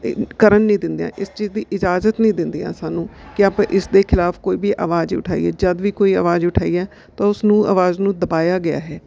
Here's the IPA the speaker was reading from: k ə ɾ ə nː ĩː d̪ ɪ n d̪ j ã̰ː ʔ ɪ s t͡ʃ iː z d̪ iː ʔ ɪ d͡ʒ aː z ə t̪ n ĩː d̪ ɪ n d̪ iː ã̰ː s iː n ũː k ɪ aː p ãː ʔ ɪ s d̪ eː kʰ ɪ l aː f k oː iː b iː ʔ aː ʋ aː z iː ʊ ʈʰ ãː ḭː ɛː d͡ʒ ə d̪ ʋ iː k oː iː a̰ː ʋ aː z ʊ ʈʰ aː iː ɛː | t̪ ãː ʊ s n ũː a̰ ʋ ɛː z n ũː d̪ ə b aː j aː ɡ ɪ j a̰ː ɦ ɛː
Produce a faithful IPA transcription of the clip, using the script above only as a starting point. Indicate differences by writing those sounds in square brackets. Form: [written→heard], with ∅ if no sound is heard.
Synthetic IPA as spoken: k ə ɾ ə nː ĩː d̪ ɪ n d̪ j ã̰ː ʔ ɪ s t͡ʃ iː z d̪ iː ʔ ɪ d͡ʒ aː z ə t̪ n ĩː d̪ ɪ n d̪ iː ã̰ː s [iː→aː] n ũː k ɪ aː p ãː ʔ ɪ s d̪ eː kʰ ɪ l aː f k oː iː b iː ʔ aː ʋ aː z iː ʊ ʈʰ [ãː→aː] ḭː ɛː d͡ʒ ə d̪ ʋ iː k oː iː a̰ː ʋ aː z ʊ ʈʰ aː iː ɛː | t̪ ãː ʊ s n ũː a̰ ʋ [ɛː→aː] z n ũː d̪ ə b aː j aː ɡ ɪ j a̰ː ɦ ɛː

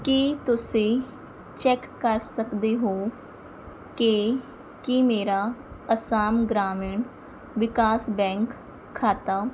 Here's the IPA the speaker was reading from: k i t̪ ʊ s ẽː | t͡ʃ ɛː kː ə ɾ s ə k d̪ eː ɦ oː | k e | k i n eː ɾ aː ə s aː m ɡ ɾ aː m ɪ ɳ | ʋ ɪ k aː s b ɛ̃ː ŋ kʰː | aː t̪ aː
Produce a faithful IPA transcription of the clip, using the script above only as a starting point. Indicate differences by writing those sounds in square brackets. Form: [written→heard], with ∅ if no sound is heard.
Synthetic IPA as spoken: k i t̪ ʊ s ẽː | t͡ʃ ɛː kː ə ɾ s ə k d̪ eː ɦ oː | k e | k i [n→m] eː ɾ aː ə s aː m ɡ ɾ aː m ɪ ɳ | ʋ ɪ k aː s b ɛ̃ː ŋ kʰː | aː t̪ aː

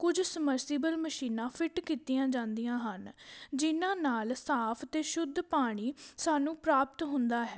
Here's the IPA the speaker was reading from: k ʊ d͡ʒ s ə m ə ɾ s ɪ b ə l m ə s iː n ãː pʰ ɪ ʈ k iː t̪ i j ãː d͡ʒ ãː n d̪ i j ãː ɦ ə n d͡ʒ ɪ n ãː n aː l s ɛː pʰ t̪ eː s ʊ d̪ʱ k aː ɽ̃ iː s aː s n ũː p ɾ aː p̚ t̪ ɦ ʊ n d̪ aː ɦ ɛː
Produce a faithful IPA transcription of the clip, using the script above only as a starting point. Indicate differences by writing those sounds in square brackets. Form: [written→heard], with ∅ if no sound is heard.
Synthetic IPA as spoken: k ʊ d͡ʒ s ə m ə ɾ s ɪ b ə l m ə [s→ʃ] iː n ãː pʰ ɪ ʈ k iː t̪ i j ãː d͡ʒ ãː n d̪ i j ãː ɦ ə n d͡ʒ ɪ n ãː n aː l s [ɛː→aː] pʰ t̪ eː [s→ʃ] ʊ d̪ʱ [k→p] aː ɽ̃ iː s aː [s→∅] n ũː p ɾ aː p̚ t̪ ɦ ʊ n d̪ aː ɦ ɛː

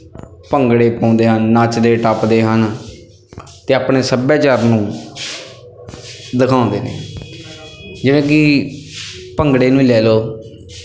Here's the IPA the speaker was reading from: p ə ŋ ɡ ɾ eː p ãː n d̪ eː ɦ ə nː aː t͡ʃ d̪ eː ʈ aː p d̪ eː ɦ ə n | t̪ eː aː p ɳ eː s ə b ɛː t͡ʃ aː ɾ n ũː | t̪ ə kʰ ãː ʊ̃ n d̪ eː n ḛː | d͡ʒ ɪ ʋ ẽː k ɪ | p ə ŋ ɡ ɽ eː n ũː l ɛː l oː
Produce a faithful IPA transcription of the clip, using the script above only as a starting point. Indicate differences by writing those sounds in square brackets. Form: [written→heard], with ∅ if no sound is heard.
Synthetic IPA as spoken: p ə ŋ ɡ [ɾ→ɽ] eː p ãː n d̪ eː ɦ ə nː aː t͡ʃ d̪ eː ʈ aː p d̪ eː ɦ ə n | t̪ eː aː p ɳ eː s ə b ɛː t͡ʃ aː ɾ n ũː | [t̪→d̪] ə kʰ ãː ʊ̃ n d̪ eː n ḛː | d͡ʒ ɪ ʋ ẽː k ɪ | p ə ŋ ɡ ɽ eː n ũː l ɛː l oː

